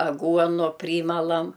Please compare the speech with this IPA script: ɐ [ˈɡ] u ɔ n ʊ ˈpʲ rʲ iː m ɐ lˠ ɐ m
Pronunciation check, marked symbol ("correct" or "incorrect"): correct